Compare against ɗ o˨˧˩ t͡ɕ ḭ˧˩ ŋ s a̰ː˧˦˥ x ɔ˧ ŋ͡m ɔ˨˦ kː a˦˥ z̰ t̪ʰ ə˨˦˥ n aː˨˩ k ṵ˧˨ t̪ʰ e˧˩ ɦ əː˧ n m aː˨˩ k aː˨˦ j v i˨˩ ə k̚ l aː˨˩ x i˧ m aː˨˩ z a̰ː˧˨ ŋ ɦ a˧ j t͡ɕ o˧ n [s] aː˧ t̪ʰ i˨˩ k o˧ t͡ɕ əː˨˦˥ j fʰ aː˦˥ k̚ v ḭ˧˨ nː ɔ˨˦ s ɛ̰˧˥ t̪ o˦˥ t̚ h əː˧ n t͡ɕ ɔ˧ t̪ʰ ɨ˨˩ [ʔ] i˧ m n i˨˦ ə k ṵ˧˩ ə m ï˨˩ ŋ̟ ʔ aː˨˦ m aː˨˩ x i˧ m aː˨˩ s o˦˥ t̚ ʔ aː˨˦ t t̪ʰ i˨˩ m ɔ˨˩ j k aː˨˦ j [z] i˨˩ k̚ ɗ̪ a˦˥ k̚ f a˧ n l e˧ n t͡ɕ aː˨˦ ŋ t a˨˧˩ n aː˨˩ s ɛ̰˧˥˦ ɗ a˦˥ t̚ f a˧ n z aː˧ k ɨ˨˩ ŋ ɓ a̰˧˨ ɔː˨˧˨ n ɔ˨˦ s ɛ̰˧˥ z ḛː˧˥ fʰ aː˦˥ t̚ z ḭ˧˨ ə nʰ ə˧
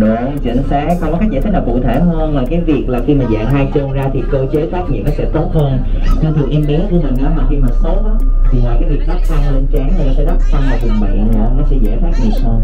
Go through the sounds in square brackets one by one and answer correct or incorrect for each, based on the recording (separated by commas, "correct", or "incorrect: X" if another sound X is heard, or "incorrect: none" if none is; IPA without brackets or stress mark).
incorrect: z, correct, incorrect: v